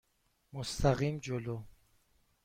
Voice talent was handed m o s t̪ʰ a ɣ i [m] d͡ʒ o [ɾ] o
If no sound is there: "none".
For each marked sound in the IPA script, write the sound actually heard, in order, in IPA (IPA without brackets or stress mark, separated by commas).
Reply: m, l